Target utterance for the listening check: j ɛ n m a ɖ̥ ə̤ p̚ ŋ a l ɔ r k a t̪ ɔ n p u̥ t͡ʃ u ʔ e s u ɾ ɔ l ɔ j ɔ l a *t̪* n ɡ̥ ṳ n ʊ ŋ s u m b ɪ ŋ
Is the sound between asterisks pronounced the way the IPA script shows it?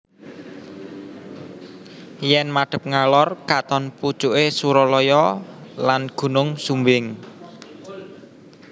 no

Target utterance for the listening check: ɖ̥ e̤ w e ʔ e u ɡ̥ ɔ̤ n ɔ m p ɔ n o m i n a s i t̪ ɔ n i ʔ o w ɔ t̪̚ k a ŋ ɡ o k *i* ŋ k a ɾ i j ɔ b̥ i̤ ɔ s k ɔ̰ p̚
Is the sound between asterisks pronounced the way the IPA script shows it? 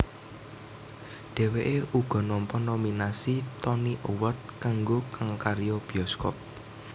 no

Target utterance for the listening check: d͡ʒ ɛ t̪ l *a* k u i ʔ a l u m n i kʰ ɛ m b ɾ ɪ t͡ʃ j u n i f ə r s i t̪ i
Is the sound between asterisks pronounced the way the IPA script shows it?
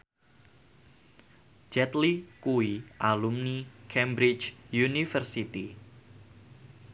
no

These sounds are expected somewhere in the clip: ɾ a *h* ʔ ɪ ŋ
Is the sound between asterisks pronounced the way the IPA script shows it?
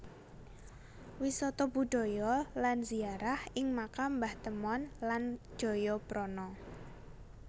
yes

